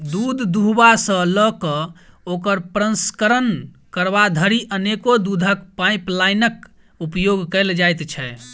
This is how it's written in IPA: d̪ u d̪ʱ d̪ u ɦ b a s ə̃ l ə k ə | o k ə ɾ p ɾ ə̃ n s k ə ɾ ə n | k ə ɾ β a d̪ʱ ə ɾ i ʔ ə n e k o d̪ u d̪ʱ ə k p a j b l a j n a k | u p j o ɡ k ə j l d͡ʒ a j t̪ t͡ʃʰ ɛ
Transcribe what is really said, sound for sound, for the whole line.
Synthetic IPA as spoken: d̪ u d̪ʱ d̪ u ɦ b a s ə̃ l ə k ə | o k ə ɾ p ɾ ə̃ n s k ə ɾ ə n | k ə ɾ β a d̪ʱ ə ɾ i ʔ ə n e k o d̪ u d̪ʱ ə k p a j p l a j n ə k | u p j o ɡ k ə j l d͡ʒ a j t̪ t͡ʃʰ ɛ